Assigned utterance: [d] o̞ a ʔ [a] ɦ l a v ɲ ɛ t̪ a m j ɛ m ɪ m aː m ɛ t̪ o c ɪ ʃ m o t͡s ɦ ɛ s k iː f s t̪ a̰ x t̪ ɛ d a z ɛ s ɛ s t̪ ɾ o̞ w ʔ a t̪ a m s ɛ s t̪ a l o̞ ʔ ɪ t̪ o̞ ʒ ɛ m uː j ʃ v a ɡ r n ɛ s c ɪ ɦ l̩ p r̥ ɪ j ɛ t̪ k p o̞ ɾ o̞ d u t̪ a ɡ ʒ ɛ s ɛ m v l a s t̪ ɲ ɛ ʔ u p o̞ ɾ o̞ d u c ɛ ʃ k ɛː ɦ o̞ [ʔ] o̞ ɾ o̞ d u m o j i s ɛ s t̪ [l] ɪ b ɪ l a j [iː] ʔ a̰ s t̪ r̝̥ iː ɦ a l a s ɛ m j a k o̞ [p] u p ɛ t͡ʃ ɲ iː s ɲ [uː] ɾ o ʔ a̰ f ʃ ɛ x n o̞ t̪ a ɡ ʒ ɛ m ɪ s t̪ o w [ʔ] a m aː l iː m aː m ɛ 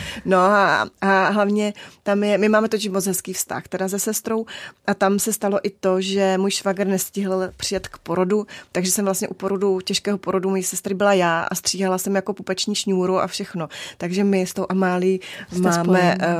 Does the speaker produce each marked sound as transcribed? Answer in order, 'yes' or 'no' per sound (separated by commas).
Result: no, yes, no, no, no, yes, yes, yes